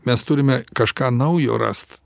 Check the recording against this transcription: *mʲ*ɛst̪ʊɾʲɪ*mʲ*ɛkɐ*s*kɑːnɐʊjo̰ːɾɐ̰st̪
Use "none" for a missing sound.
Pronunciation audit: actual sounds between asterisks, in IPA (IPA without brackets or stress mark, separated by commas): mʲ, mʲ, ʃ